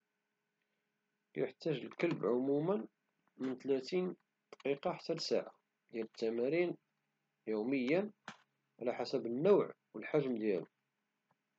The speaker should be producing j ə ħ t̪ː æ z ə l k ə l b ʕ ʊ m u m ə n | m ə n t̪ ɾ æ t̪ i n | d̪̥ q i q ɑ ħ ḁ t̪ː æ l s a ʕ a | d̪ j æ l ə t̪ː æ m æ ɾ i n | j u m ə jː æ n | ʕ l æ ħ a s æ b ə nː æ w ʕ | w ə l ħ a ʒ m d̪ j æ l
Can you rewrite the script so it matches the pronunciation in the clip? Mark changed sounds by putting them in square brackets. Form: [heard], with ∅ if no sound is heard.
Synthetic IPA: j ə ħ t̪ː æ [ʒ] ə l k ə l b ʕ ʊ m u m ə n | m ə n t̪ [l] æ t̪ i n | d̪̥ q i q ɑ ħ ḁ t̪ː æ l s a ʕ a | d̪ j æ l ə t̪ː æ m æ ɾ i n | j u m ə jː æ n | ʕ l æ ħ a s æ b ə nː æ w ʕ | w ə l ħ a ʒ m d̪ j æ l